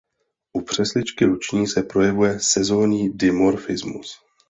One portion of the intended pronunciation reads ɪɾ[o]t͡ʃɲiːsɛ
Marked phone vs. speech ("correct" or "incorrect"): incorrect